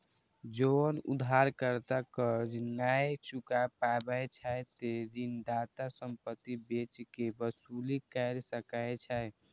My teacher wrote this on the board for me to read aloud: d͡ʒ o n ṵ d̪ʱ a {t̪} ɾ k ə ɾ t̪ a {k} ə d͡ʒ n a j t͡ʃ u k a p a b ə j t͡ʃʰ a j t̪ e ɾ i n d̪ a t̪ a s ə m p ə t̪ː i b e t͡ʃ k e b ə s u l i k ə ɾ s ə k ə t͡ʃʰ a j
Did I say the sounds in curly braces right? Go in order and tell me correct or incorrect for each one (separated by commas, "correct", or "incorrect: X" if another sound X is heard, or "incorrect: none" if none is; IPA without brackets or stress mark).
incorrect: none, correct